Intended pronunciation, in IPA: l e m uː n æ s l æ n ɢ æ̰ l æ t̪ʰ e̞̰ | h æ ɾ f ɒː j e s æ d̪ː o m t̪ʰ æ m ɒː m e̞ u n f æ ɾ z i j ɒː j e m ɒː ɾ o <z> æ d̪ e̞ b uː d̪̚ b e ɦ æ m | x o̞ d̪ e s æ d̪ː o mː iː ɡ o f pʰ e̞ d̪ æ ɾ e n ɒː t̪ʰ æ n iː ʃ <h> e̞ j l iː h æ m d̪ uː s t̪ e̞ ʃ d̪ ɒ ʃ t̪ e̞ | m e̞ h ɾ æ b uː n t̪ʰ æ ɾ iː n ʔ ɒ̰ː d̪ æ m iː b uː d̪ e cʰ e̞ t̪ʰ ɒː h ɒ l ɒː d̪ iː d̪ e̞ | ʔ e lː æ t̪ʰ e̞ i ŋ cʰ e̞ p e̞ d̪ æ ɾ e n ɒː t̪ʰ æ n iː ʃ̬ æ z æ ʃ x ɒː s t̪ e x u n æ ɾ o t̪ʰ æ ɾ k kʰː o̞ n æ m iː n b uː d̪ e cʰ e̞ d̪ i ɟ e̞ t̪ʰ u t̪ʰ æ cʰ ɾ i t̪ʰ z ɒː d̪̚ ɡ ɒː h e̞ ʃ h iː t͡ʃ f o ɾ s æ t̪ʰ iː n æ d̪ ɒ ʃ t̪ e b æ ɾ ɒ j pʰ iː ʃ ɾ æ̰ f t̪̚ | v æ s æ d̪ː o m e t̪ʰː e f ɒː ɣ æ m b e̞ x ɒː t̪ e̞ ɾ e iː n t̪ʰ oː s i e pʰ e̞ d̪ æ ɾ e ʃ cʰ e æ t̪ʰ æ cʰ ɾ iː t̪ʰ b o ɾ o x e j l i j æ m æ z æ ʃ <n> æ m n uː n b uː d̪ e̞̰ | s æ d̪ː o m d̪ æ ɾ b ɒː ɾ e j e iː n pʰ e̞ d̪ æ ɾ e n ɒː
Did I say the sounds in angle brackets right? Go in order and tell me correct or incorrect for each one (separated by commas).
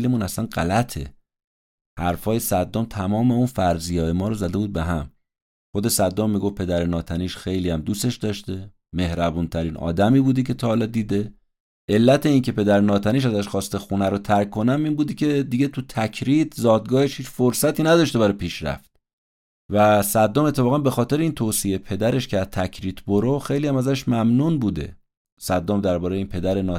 correct, incorrect, incorrect